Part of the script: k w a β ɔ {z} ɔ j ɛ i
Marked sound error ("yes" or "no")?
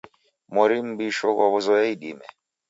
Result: no